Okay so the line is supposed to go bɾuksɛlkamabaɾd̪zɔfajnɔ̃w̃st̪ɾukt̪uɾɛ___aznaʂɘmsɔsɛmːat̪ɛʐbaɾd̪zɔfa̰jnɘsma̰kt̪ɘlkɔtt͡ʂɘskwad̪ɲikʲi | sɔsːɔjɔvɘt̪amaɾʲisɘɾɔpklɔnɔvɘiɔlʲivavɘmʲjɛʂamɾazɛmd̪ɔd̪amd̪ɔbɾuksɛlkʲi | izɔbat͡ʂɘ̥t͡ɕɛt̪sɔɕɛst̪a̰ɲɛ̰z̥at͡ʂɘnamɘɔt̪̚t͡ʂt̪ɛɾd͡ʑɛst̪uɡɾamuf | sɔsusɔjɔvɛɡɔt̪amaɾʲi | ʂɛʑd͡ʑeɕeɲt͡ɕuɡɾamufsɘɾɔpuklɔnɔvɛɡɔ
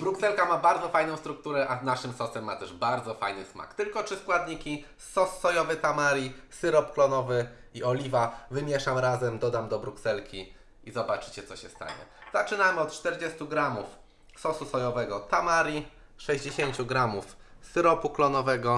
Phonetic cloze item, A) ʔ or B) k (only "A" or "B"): A